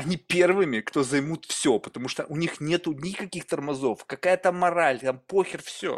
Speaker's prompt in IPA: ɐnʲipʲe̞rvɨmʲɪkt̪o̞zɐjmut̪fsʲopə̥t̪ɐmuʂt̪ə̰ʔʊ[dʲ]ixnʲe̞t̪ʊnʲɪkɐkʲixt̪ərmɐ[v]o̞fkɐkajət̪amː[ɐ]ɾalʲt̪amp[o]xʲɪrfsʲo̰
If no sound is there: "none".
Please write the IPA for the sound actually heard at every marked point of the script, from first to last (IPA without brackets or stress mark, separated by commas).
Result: nʲ, z, ɐ, o